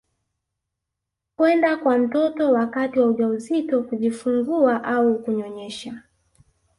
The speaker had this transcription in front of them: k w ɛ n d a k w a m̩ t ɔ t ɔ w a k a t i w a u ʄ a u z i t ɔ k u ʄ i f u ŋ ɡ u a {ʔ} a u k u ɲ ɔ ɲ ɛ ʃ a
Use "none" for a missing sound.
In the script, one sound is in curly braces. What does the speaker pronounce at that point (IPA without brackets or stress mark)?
ʔ